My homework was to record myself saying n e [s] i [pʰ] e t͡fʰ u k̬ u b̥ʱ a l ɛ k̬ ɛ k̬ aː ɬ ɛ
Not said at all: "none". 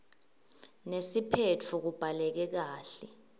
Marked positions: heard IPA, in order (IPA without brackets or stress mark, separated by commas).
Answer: s, pʰ